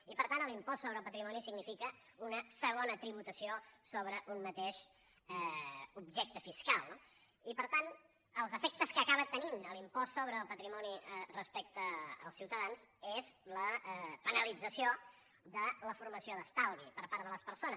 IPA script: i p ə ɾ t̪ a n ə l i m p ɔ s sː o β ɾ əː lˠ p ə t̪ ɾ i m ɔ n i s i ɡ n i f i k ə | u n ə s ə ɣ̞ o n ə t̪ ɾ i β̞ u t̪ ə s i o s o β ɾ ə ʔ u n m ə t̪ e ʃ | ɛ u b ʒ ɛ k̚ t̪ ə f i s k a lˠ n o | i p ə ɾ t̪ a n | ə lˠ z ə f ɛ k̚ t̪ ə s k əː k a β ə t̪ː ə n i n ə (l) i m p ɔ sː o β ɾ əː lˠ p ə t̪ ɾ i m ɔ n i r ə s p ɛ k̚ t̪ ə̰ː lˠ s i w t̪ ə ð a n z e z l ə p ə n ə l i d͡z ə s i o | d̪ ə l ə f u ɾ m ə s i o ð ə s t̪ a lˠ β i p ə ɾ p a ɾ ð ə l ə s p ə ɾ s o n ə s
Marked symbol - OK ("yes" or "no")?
yes